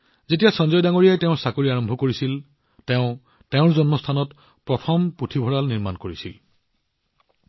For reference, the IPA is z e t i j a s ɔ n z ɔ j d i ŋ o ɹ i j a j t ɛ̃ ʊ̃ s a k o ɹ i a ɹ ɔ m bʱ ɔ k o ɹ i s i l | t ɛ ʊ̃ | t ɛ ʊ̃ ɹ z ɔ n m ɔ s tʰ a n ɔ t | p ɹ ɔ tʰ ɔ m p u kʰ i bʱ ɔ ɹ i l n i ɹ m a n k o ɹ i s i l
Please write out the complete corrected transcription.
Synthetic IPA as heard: z e t i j a s ɔ n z ɔ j d a ŋ o ɹ i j a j t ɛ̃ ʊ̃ s a k o ɹ i a ɹ ɔ m bʱ ɔ k o ɹ i s i l | t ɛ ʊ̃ | t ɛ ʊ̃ ɹ z ɔ n m ɔ s tʰ a n ɔ t | p ɹ ɔ tʰ ɔ m p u tʰ i bʱ ɔ ɹ a l n i ɹ m a n k o ɹ i s i l